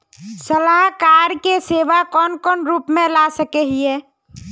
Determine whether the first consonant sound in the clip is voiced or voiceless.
voiceless